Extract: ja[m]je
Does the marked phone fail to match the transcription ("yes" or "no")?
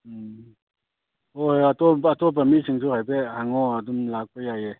yes